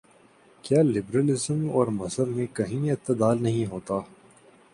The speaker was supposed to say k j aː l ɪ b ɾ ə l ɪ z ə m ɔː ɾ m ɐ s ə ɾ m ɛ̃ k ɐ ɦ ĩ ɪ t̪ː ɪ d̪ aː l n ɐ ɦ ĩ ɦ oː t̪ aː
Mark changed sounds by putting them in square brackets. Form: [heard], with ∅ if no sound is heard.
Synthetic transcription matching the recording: k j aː l ɪ b ɾ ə l ɪ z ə m ɔː ɾ m ɐ s ə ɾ m [ẽ] k ɐ ɦ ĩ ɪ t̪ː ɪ d̪ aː l n ɐ ɦ ĩ ɦ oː t̪ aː